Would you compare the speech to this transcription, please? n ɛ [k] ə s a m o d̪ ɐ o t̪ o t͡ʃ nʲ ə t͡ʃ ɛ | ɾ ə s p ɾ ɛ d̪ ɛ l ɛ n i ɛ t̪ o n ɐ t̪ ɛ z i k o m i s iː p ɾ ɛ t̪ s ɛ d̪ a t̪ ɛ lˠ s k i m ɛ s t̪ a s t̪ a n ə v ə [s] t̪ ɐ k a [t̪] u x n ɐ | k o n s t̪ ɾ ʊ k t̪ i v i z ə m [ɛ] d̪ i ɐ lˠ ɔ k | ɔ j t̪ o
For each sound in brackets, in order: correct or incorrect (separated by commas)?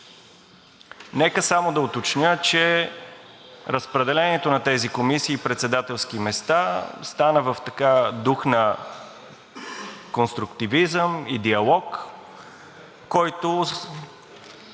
correct, incorrect, incorrect, incorrect